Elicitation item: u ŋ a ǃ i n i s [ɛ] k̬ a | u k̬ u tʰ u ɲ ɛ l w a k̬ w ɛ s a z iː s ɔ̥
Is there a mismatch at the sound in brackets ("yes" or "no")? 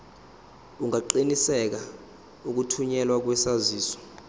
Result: no